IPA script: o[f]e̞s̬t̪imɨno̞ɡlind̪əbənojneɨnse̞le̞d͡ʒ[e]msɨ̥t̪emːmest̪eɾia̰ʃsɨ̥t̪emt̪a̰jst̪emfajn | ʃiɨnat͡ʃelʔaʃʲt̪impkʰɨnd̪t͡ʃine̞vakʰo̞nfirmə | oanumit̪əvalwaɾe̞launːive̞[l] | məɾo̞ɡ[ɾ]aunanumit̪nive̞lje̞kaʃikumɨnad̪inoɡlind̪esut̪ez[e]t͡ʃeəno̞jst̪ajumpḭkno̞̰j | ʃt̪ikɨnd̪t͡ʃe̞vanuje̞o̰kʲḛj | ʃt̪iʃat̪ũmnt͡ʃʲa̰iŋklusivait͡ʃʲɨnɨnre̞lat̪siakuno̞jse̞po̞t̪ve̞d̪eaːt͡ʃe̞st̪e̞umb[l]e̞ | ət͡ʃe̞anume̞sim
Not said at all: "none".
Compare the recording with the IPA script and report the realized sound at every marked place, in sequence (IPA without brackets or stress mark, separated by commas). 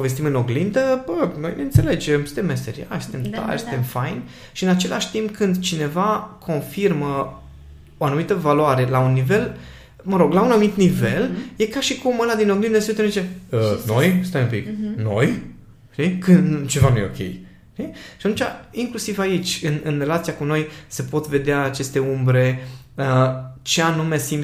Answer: v, e, l, l, i, ɾ